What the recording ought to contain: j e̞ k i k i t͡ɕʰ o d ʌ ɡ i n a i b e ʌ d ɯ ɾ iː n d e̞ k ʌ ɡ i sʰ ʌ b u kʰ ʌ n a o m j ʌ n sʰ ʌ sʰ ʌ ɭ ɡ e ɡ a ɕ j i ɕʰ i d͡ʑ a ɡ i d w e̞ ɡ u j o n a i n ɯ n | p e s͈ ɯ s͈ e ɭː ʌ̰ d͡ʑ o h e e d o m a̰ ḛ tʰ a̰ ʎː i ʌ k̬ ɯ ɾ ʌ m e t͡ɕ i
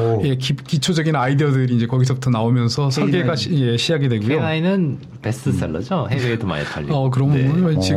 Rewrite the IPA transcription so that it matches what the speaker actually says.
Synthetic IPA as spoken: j e̞ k i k i t͡ɕʰ o d͡ʑ ʌ ɡ i n a i d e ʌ d ɯ ɾ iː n d͡ʑ e̞ k ʌ ɡ i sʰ ʌ b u tʰ ʌ n a o m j ʌ n sʰ ʌ sʰ ʌ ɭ ɡ e ɡ a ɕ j e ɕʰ i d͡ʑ a ɡ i d w e̞ ɡ u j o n a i n ɯ n | p e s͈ ɯ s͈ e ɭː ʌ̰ d͡ʑ o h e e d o m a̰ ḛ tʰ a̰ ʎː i ʌ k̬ ɯ ɾ ʌ m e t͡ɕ i